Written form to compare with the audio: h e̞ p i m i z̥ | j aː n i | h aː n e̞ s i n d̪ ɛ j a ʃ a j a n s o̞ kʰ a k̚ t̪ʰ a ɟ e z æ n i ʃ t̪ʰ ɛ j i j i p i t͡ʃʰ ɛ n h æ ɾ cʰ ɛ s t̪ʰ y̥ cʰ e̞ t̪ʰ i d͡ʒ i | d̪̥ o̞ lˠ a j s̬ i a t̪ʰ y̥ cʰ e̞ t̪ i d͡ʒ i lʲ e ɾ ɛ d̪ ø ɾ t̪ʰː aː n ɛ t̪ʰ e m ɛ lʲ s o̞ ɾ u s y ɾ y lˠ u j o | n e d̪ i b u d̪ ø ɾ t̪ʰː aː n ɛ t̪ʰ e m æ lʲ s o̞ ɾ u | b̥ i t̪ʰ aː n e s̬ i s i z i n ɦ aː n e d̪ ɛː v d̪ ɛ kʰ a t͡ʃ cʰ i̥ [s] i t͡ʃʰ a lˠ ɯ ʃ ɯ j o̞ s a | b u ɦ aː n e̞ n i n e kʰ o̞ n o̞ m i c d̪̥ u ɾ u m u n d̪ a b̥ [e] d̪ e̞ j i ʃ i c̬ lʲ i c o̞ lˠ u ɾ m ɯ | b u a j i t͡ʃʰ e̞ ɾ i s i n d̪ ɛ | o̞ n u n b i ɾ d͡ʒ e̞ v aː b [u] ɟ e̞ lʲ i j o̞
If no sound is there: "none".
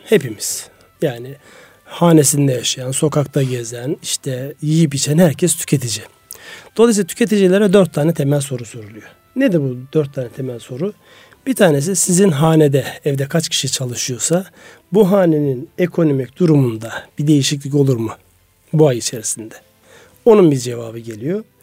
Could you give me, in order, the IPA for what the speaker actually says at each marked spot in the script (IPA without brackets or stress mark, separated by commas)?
ʃ, i, ɯ